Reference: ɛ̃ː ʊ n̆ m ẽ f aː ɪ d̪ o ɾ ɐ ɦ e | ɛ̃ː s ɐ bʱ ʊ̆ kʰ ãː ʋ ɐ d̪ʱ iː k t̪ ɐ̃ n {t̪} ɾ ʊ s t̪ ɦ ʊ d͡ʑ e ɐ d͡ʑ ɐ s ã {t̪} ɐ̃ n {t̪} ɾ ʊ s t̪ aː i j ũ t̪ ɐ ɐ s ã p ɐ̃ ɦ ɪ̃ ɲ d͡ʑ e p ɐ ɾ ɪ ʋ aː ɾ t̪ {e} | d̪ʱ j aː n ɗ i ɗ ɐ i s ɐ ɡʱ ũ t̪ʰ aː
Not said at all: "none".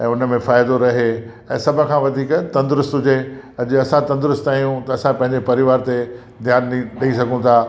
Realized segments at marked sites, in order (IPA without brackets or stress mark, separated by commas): d̪, t̪, d̪, e